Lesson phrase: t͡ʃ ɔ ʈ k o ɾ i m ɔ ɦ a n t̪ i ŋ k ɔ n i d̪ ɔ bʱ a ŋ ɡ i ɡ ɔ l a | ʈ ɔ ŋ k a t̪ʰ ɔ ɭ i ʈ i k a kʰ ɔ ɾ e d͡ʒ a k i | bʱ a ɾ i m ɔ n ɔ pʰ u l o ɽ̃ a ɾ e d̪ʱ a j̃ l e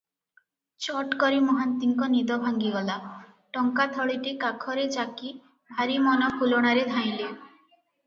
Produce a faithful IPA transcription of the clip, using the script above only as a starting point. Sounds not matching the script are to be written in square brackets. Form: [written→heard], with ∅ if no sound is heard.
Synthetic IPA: t͡ʃ ɔ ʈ k [o→ɔ] ɾ i m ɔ ɦ a n t̪ i ŋ k ɔ n i d̪ ɔ bʱ a ŋ ɡ i ɡ ɔ l a | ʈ ɔ ŋ k a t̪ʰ ɔ ɭ i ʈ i k a kʰ ɔ ɾ e d͡ʒ a k i | bʱ a ɾ i m ɔ n ɔ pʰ u l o ɽ̃ a ɾ e d̪ʱ a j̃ l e